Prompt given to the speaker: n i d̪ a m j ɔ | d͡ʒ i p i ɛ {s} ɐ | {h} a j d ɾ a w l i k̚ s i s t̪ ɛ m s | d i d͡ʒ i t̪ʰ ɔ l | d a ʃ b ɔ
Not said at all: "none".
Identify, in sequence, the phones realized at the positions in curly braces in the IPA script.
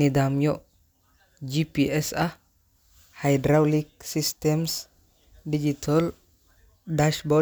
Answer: s, h

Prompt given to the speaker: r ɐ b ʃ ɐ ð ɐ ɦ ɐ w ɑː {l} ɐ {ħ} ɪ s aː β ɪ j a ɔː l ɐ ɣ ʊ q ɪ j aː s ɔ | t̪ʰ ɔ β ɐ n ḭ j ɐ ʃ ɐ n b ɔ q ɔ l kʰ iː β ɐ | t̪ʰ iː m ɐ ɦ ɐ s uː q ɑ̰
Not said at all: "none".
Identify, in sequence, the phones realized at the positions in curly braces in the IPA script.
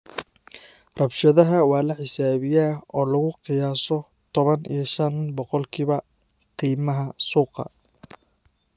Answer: l, ħ

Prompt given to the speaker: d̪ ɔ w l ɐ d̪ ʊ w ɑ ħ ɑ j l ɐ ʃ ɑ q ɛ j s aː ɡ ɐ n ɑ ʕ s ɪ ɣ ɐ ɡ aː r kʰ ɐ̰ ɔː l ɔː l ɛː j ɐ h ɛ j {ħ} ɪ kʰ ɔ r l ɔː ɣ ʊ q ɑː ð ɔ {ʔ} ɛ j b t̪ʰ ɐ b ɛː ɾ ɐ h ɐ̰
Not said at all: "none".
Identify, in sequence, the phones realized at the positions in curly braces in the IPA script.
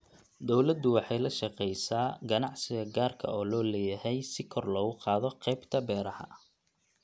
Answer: s, q

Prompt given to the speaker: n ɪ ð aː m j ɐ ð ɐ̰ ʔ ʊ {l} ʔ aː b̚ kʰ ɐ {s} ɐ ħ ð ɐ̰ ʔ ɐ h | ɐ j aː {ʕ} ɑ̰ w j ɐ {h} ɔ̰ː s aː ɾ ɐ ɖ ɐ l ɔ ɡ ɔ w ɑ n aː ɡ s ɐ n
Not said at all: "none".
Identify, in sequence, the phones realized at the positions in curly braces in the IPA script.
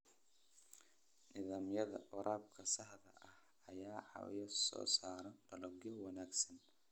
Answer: ɾ, s, ʕ, s

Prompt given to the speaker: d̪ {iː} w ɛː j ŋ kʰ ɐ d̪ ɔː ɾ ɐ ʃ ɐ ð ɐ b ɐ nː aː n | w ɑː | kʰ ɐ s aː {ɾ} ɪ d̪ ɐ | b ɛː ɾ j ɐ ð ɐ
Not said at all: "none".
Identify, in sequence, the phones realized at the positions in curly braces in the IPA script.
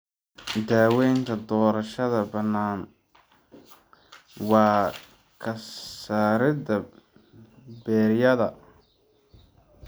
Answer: aː, ɾ

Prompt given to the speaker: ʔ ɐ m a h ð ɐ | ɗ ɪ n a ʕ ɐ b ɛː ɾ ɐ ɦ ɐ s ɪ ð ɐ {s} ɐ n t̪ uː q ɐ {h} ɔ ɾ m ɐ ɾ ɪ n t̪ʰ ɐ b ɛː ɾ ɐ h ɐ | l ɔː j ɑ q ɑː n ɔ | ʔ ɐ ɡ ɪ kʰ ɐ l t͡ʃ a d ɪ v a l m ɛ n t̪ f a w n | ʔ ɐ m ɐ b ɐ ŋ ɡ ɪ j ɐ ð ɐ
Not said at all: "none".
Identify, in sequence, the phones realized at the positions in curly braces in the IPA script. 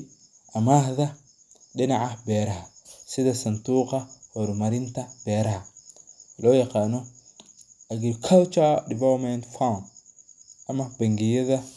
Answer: s, h

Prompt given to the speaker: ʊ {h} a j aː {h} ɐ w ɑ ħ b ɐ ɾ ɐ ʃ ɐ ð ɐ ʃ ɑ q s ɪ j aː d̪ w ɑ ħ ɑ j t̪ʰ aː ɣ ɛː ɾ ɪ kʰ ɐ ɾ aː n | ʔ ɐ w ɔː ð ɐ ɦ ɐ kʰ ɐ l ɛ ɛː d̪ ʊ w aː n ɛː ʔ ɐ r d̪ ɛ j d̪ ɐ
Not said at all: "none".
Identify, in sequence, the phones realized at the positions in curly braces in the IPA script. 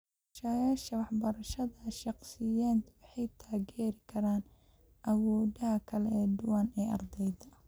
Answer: ʃ, ʃ

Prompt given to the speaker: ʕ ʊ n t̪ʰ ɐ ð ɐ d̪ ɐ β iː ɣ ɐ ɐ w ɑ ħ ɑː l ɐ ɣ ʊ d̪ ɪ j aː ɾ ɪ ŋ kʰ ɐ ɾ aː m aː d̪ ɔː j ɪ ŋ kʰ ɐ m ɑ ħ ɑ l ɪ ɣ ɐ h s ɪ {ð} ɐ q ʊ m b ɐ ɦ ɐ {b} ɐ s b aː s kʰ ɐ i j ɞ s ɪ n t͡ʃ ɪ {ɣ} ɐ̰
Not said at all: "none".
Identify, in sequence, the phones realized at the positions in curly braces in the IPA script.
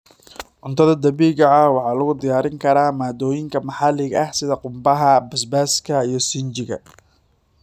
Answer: ð, b, ɣ

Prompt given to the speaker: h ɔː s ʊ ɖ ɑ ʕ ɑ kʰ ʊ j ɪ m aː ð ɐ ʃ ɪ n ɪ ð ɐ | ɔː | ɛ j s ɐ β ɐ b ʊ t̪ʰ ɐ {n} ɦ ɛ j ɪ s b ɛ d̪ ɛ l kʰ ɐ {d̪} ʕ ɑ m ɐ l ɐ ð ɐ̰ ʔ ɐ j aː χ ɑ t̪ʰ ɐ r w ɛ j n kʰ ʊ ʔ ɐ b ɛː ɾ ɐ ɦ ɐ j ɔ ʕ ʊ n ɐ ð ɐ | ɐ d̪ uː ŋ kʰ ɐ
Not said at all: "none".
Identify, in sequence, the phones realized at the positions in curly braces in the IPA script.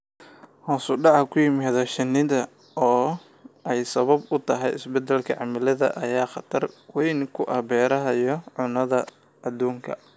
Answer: none, none

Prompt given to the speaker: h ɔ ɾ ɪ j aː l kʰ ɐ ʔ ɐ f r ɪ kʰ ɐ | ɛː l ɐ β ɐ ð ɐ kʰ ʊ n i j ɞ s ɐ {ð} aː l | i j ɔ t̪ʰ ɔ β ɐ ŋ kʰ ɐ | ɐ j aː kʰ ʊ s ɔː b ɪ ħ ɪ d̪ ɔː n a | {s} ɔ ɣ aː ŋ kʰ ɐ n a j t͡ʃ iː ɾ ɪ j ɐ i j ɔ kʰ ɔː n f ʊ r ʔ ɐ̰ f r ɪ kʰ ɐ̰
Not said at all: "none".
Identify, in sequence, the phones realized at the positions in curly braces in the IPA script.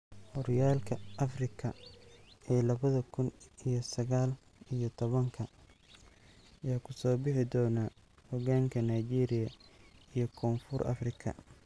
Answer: ɣ, h

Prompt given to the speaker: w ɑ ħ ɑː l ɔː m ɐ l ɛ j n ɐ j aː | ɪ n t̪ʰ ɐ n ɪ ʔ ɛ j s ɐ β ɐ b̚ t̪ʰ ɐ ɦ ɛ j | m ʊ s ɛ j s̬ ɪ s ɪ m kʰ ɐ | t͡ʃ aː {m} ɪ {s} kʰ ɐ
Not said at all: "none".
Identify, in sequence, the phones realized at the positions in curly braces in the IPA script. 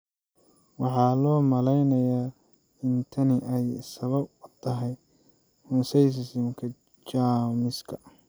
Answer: m, s

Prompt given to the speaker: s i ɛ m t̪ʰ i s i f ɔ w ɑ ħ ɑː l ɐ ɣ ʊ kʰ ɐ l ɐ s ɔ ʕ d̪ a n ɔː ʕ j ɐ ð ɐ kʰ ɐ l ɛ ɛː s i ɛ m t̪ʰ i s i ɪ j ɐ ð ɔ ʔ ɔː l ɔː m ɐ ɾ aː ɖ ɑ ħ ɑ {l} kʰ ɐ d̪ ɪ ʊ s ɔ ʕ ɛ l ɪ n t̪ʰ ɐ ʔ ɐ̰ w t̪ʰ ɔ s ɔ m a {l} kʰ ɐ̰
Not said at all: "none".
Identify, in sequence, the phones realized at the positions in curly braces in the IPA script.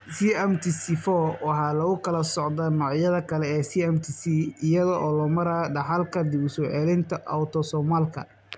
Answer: l, l

